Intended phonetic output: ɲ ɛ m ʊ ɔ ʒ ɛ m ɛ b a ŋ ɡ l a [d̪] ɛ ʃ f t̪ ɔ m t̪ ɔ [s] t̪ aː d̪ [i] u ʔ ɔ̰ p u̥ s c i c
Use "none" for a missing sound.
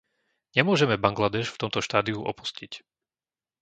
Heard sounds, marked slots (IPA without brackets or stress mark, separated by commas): d̪, ʃ, i